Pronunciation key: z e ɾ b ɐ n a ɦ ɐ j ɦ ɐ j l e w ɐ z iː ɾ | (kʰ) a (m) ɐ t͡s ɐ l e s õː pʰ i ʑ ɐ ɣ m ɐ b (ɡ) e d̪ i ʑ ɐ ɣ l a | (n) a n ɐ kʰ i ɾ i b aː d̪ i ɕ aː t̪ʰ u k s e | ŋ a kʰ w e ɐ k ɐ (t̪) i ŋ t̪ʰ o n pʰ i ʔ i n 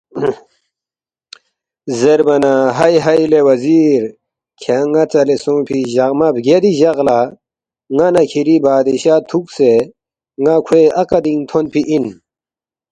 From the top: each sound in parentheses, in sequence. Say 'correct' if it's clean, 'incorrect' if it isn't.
correct, incorrect: ŋ, correct, incorrect: ŋ, incorrect: d̪

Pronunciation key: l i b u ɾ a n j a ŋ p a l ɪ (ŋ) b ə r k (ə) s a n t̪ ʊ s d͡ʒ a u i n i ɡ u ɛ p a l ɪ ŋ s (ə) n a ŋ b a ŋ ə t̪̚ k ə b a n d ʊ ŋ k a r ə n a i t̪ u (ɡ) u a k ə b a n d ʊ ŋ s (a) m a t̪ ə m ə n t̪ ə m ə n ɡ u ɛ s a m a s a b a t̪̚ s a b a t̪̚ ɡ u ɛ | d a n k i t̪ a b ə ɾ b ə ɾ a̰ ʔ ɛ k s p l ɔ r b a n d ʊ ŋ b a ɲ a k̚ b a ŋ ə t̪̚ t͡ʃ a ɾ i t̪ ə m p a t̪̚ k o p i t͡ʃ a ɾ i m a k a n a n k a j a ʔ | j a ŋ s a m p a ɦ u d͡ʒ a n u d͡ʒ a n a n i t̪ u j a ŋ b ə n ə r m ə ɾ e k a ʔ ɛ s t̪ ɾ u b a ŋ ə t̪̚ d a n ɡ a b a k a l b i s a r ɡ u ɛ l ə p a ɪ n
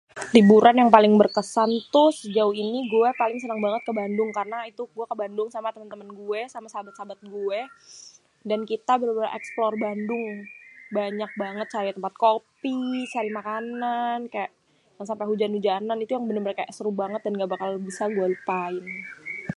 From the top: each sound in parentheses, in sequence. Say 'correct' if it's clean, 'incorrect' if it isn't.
correct, correct, correct, correct, correct

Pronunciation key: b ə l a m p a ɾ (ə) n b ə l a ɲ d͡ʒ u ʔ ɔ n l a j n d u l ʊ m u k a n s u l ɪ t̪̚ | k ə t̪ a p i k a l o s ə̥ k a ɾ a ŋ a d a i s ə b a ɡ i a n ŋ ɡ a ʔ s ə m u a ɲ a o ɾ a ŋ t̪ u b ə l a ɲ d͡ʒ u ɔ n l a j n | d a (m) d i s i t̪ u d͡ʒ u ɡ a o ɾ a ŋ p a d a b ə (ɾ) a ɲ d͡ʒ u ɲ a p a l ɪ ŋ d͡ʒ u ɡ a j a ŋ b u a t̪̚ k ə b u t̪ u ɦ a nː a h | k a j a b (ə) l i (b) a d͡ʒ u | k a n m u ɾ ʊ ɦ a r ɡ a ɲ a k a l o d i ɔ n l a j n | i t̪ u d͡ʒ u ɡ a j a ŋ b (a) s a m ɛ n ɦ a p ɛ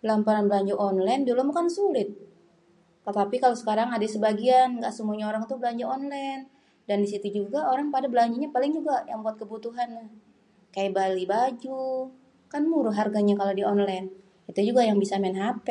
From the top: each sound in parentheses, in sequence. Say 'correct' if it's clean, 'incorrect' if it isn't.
incorrect: a, incorrect: n, incorrect: l, incorrect: a, correct, incorrect: i

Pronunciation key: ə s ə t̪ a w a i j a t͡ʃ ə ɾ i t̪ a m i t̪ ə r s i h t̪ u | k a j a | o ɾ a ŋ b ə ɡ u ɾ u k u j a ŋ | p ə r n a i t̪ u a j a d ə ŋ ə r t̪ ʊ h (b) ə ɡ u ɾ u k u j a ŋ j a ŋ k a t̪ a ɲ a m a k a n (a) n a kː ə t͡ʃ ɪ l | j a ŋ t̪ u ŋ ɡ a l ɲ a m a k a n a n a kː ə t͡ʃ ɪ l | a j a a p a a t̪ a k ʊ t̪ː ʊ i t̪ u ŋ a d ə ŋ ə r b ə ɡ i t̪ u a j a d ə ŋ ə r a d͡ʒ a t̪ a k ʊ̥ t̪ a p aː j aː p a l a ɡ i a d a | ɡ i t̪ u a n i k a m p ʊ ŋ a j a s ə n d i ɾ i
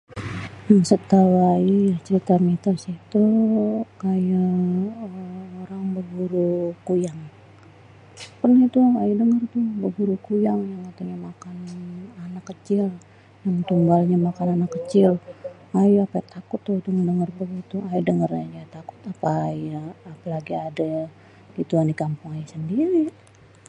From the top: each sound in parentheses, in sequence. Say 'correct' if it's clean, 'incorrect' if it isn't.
correct, correct

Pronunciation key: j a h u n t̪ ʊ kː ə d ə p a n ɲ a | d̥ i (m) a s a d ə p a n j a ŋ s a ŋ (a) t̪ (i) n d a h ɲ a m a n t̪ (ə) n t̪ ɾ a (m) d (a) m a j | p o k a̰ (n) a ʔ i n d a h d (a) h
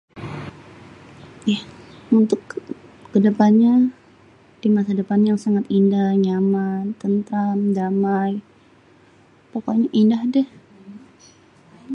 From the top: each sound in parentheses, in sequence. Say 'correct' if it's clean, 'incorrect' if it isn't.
correct, correct, correct, correct, correct, correct, incorrect: ɲ, incorrect: ɛ

